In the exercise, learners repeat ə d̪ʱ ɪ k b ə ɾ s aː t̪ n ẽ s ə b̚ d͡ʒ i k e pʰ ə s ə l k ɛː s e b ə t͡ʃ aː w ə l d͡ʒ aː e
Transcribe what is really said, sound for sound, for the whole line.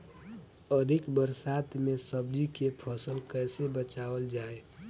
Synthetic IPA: ə d̪ʱ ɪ k b ə ɾ s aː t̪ m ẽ s ə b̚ d͡ʒ i k e pʰ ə s ə l k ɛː s e b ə t͡ʃ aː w ə l d͡ʒ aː e